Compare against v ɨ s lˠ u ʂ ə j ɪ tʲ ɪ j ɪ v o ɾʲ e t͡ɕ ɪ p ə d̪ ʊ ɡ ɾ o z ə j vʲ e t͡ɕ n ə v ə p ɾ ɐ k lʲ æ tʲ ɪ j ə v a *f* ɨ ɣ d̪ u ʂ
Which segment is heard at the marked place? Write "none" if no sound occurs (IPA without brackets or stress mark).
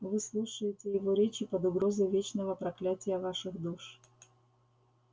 ʂ